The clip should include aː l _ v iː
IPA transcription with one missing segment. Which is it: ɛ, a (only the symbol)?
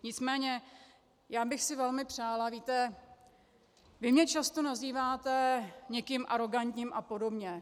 a